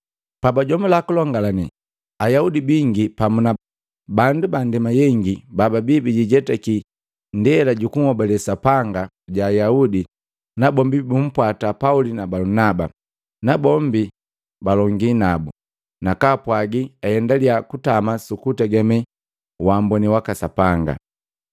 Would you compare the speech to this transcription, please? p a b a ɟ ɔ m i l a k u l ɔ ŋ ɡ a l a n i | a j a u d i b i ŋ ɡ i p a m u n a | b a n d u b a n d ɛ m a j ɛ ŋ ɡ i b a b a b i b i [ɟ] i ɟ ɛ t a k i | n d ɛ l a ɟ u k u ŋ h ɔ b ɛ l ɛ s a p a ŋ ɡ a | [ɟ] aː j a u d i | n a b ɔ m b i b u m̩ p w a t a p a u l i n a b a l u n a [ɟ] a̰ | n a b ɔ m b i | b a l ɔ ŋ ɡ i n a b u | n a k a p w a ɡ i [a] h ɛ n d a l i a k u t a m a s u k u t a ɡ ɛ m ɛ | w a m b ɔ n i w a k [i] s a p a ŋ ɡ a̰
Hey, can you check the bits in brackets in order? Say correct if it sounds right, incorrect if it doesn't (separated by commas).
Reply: correct, correct, incorrect, correct, incorrect